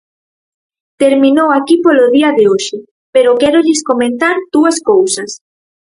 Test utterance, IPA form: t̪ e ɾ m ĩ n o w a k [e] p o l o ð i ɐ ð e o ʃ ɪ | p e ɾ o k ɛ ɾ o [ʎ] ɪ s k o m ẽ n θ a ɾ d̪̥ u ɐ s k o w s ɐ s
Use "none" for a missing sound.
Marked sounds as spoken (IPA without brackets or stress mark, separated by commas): i, ʎ